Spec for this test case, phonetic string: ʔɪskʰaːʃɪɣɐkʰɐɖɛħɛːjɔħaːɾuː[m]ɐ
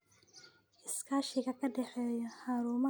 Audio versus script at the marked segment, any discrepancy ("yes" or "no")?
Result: no